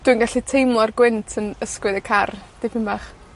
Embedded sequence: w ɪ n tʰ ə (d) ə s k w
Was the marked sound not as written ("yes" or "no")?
yes